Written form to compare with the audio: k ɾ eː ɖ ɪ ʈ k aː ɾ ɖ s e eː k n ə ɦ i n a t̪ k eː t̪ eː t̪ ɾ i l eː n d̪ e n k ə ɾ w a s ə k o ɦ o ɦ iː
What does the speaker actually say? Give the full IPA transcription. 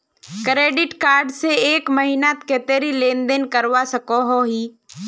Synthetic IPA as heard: k ɾ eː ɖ ɪ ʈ k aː ɾ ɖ s e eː k m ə ɦ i n a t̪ k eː t̪ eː ɾ i l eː n d̪ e n k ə ɾ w a s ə k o ɦ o ɦ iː